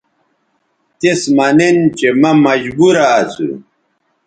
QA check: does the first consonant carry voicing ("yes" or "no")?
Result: no